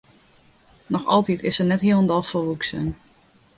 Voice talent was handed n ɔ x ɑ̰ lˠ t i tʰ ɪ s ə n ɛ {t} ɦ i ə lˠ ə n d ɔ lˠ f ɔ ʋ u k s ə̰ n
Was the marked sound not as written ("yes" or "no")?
no